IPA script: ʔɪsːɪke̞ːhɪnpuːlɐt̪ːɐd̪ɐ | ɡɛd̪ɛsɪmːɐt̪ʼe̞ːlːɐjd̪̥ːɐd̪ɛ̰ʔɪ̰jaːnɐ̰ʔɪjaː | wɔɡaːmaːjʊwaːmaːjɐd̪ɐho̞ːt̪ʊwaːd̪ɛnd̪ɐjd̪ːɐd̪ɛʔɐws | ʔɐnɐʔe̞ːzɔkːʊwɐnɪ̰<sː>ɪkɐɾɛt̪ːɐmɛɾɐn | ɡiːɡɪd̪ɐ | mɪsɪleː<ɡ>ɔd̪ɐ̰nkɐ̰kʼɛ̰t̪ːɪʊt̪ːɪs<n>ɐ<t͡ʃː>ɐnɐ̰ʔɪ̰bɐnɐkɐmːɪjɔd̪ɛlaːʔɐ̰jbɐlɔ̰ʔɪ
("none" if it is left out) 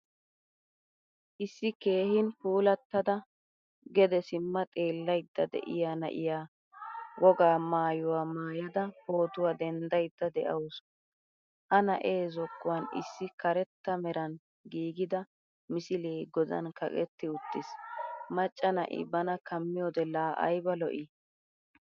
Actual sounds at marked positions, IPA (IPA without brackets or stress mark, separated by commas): sː, ɡ, m, t͡ʃʼː